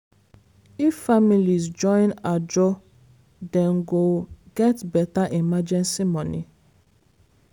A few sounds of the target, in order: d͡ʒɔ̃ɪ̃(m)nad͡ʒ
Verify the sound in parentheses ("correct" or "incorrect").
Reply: incorrect